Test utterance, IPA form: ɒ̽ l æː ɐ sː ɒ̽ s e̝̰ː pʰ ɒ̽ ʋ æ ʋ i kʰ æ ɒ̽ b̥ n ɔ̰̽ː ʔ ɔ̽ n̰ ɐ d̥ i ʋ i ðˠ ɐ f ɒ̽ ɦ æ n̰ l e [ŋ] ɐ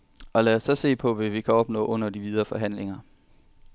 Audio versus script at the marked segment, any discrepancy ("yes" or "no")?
no